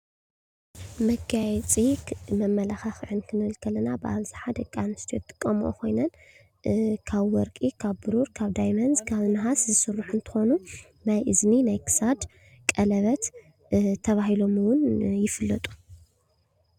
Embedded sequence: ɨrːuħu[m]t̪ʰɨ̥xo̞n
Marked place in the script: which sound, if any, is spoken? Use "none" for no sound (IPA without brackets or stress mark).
n